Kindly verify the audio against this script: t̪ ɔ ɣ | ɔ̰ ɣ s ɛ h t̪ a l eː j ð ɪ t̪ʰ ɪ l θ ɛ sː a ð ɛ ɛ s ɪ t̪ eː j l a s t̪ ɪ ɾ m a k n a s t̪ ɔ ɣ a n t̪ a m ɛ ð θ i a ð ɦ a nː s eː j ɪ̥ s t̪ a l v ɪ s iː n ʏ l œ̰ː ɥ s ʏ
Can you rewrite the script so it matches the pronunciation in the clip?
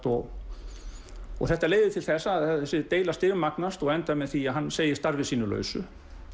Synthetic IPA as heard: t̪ ɔ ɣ | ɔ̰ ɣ θ ɛ h t̪ a l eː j ð ɪ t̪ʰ ɪ l θ ɛ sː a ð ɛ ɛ s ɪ t̪ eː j l a s t̪ ɪ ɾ m a k n a s t̪ ɔ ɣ ɛ n t̪ a m ɛ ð θ i a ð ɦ a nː s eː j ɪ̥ s t̪ a ɾ v ɪ s iː n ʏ l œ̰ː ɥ s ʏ

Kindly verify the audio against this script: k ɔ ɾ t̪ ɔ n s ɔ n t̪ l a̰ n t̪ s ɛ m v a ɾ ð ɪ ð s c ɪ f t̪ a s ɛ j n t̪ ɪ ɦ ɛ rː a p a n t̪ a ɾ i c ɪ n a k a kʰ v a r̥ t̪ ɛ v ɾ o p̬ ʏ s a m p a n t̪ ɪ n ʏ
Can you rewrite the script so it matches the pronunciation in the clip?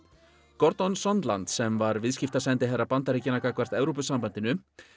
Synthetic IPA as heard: k ɔ ɾ t̪ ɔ n s ɔ n t̪ l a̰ n t̪ s ɛ m v a ɾ v ɪ ð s c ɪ f t̪ a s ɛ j n t̪ ɪ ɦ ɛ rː a p a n t̪ a ɾ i c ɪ n a k a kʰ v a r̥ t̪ ɛ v ɾ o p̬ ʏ s a m p a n t̪ ɪ n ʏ

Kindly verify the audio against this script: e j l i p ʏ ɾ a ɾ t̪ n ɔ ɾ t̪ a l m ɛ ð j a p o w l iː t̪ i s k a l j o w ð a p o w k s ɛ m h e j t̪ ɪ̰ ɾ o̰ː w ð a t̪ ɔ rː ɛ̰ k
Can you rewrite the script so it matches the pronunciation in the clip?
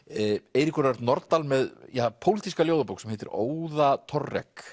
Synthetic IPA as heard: e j ɾ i k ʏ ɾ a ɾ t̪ n ɔ ɾ t̪ a l m ɛ ð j a pʰ o w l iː t̪ i s k a l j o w ð a p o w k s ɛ m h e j t̪ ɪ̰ ɾ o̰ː w ð a t̪ʰ ɔ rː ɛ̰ k

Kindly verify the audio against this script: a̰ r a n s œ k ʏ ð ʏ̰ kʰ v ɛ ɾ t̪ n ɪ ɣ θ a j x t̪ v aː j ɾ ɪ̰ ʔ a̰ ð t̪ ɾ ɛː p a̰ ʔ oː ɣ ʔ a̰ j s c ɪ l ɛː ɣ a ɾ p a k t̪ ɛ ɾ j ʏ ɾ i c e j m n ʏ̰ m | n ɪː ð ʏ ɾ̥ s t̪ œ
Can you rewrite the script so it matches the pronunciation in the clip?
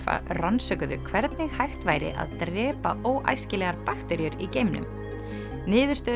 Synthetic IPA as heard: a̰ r a n s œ k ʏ ð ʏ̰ kʰ v ɛ ɾ t̪ n ɪ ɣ h a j x t̪ v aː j ɾ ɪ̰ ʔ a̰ ð t̪ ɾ ɛː p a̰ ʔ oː w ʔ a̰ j s c ɪ l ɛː ɣ a ɾ p a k t̪ ɛ ɾ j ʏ ɾ i c e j m n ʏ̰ m | n ɪː ð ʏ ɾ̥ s t̪ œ

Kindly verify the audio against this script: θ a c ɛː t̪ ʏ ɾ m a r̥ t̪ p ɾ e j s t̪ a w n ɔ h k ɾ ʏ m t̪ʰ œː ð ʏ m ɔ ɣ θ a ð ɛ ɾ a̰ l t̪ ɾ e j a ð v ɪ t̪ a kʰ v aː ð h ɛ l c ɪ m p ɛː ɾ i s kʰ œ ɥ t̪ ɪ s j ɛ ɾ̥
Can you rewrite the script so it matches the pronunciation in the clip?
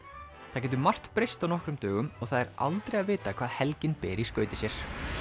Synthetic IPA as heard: θ a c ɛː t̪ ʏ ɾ m a r̥ t̪ p ɾ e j s t̪ a w n ɔ h k ɾ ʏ m t̪ œː ɣ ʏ m ɔ ɣ θ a ð ɛ ɾ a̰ l t̪ ɾ e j a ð v ɪː t̪ a kʰ v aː ð h ɛ l c ɪ n p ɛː ɾ i s k œ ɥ t̪ ɪ s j ɛ ɾ̥

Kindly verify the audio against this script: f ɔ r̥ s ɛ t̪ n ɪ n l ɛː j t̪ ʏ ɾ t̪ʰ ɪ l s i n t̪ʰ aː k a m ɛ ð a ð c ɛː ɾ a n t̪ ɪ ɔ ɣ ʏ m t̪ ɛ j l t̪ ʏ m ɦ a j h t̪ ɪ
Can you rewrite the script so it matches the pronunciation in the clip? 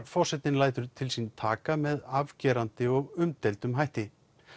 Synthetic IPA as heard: f ɔ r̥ s ɛ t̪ n ɪ n l aː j t̪ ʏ ɾ t̪ʰ ɪ l s i n t̪ʰ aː k a m ɛ ð a v c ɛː ɾ a n t̪ ɪ ɔ ɣ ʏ m t̪ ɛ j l t̪ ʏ m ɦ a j h t̪ ɪ

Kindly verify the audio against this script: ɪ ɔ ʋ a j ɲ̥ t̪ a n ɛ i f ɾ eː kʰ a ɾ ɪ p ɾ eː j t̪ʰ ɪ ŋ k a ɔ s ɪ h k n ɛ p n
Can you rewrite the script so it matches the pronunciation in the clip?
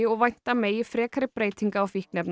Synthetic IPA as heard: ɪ ɔ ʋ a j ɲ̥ t̪ a m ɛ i f ɾ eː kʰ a ɾ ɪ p ɾ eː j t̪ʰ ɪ ŋ k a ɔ f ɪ h k n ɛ p n

